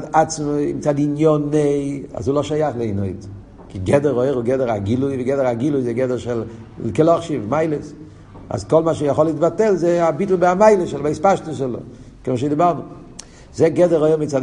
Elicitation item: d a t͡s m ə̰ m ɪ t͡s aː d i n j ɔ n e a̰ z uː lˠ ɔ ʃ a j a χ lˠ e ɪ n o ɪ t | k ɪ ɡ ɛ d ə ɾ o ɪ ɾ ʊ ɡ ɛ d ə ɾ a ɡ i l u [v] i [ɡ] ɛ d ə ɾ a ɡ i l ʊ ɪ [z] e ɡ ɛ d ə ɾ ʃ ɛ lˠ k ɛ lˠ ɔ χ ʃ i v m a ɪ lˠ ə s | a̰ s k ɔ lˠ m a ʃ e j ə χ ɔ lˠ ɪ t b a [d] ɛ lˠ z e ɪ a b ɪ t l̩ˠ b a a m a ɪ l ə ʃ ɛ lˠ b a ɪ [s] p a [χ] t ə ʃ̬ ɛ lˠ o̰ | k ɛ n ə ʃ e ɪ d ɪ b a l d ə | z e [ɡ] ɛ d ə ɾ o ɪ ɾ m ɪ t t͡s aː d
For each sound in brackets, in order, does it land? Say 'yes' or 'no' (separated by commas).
yes, yes, yes, no, yes, no, yes